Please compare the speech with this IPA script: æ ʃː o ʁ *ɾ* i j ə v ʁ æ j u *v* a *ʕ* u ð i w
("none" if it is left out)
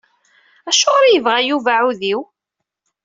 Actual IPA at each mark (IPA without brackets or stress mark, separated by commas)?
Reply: ɾ, v, ʕ